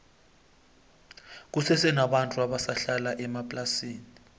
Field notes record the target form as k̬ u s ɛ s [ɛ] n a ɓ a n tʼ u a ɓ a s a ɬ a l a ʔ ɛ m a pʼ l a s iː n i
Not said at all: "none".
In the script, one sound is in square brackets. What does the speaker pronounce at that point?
ɛ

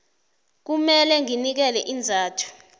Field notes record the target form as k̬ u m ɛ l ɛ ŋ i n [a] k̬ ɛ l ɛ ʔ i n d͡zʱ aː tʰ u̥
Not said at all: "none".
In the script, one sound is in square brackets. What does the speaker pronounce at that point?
i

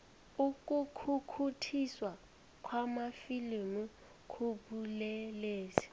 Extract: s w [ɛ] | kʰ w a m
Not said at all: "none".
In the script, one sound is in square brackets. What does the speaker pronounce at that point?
a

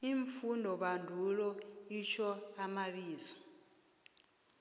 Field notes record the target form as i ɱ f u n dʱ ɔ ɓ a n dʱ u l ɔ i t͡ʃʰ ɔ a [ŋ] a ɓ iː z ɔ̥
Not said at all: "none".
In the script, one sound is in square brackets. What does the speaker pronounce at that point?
m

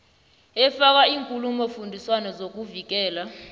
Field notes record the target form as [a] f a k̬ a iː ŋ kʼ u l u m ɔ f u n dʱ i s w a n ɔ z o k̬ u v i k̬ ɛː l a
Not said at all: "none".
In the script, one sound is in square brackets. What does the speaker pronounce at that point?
ɛ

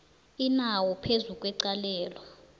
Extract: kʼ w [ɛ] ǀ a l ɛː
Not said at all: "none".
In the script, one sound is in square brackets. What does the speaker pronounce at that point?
ɛ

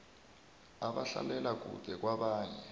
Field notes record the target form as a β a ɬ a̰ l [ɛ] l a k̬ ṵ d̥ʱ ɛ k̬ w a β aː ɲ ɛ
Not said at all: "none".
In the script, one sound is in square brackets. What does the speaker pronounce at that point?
ɛ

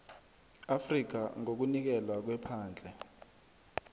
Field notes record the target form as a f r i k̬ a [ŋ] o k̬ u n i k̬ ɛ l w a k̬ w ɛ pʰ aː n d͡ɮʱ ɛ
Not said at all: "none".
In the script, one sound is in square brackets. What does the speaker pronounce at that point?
ŋ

